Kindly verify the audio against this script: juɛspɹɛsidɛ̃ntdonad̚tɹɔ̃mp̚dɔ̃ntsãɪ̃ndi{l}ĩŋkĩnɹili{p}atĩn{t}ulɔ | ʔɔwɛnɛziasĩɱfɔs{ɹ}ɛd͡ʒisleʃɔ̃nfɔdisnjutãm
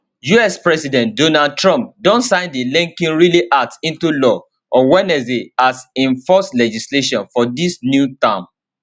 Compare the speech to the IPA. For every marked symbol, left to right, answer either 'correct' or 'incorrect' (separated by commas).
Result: correct, incorrect, correct, incorrect